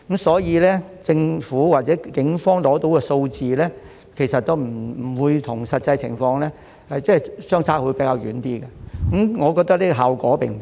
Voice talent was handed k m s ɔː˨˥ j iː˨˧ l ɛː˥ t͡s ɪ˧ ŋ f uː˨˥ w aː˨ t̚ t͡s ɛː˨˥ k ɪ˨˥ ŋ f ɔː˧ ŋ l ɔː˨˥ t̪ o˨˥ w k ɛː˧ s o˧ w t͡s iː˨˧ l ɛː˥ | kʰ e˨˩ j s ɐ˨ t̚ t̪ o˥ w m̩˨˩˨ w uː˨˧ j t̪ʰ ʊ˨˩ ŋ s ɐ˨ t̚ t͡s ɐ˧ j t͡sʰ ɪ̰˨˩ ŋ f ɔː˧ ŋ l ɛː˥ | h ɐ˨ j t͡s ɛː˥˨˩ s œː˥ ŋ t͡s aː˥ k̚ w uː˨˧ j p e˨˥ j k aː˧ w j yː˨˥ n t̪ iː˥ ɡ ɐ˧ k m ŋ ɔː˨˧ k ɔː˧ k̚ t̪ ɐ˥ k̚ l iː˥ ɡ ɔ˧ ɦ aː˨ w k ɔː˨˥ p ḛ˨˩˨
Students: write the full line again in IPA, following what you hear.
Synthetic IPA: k m s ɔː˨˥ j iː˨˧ l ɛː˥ t͡s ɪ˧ ŋ f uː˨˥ w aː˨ t̚ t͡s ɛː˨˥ k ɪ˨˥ ŋ f ɔː˥ ŋ l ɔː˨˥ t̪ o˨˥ w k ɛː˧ s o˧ w t͡s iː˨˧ l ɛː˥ | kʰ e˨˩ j s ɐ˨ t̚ t̪ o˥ w m̩˨˩˨ w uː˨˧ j t̪ʰ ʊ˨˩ ŋ s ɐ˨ t̚ t͡s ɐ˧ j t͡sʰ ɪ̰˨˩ ŋ f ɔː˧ ŋ l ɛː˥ | h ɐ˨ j t͡s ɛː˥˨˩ s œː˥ ŋ t͡sʰ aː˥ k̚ w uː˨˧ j p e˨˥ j k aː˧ w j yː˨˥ n t̪ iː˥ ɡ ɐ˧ k m ŋ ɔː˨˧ k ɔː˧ k̚ t̪ ɐ˥ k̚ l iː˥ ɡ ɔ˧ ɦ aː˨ w k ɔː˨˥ p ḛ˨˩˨